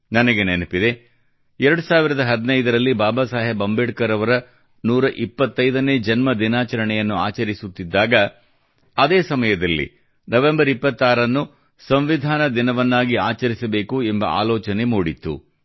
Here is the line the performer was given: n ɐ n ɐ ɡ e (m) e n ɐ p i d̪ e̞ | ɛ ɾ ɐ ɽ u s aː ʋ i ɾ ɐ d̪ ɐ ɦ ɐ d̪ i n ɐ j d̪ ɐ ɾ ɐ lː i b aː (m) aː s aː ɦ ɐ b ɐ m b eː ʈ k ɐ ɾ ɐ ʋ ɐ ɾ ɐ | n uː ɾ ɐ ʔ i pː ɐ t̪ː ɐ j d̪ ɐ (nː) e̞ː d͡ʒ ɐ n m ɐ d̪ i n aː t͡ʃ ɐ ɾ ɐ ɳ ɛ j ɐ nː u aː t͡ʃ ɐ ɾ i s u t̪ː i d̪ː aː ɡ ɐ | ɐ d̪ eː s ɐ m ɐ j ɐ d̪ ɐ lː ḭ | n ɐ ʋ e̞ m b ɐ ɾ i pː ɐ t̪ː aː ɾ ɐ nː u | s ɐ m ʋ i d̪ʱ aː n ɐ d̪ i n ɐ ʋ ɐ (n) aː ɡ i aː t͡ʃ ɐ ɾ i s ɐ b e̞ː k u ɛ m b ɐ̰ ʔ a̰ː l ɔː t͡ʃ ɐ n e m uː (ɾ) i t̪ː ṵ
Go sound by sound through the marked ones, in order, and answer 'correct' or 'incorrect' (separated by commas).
incorrect, incorrect, incorrect, incorrect, incorrect